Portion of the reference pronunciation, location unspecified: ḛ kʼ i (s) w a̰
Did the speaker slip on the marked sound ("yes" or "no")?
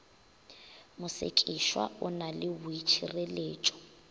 yes